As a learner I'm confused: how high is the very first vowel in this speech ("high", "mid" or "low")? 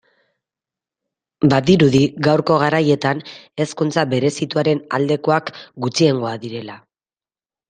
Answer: low